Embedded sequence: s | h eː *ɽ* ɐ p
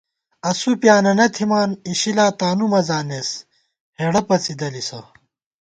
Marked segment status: correct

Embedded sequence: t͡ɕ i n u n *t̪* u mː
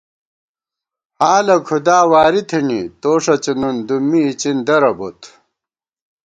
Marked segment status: incorrect: d̪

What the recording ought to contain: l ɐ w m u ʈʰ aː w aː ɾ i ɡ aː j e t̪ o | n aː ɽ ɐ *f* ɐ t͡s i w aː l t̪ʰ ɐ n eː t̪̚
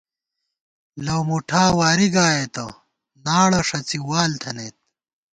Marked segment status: incorrect: ʂ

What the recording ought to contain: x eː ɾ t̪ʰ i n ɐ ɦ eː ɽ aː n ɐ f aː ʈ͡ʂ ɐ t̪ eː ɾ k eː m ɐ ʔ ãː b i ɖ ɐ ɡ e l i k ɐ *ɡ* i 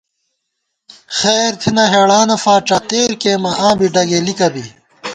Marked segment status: incorrect: b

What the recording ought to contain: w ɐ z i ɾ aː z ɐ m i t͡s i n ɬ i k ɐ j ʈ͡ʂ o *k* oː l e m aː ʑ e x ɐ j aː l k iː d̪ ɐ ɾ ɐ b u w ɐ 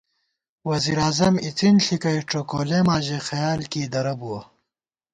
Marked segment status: correct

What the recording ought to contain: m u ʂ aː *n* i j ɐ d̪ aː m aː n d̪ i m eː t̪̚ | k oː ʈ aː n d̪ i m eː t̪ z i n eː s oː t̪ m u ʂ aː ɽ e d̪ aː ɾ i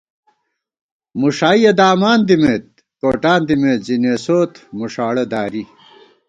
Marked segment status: incorrect: none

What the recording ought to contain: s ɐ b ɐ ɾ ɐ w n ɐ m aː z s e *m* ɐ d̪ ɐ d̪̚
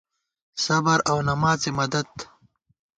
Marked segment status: correct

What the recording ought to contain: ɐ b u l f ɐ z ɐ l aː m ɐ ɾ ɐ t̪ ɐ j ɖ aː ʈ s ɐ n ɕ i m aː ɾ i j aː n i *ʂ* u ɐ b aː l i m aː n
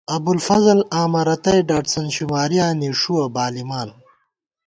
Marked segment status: correct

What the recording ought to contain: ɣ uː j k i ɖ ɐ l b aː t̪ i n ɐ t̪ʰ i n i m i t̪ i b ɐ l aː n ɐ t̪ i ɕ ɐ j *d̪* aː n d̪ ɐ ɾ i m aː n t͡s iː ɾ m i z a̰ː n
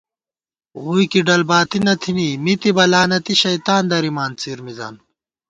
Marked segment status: incorrect: t̪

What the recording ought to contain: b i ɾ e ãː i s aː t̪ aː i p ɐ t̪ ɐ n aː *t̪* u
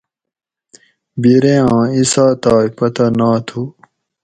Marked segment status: incorrect: t̪ʰ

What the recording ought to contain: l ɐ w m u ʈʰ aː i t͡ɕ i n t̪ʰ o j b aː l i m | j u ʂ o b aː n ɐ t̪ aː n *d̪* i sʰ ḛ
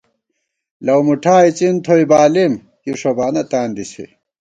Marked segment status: correct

